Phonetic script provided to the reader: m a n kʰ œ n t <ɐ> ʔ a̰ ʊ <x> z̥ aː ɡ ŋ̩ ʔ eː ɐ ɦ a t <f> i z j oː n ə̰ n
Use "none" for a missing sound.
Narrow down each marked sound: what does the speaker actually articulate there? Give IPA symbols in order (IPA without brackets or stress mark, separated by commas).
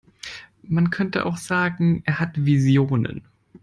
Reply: ə, x, v